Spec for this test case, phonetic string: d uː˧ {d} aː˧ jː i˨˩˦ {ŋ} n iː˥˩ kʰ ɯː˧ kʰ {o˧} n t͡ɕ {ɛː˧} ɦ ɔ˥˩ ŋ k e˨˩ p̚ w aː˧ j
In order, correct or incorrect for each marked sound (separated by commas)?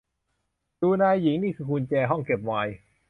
incorrect, correct, incorrect, correct